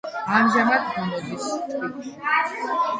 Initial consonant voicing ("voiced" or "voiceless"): voiced